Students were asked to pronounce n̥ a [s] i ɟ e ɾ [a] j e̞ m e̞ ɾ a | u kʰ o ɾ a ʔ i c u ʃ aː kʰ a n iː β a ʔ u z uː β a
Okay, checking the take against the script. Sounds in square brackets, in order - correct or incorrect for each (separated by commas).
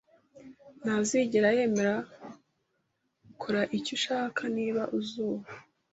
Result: incorrect, correct